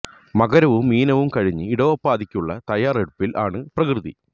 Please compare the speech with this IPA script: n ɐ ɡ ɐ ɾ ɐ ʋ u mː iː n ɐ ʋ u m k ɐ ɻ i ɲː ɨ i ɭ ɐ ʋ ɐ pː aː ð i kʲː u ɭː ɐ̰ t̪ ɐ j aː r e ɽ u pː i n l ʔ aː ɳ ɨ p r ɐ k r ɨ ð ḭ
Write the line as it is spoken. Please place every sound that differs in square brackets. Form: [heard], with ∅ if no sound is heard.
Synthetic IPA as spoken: [m] ɐ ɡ ɐ ɾ ɐ ʋ u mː iː n ɐ ʋ u m k ɐ ɻ i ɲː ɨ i [ɽ] ɐ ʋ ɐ pː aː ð i kʲː u ɭː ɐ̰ t̪ ɐ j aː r e ɽ u pː i [∅] l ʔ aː ɳ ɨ p r ɐ k r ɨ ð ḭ